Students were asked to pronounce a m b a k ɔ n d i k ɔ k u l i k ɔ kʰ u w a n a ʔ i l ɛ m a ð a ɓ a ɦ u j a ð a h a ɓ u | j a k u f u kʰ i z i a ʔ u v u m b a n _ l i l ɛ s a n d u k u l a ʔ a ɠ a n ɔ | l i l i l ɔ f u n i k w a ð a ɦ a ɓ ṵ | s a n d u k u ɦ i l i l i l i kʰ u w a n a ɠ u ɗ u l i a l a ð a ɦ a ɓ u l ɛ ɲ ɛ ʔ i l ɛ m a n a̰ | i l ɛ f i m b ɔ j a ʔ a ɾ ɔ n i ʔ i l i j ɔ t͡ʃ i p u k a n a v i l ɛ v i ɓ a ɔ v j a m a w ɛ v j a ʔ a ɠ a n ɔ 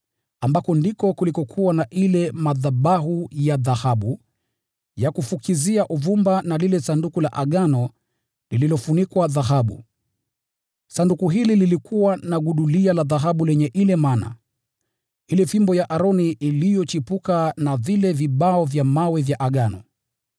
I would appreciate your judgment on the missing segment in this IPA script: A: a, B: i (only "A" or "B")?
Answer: A